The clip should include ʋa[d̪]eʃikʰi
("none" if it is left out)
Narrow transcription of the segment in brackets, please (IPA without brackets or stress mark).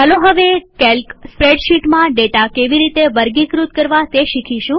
t̪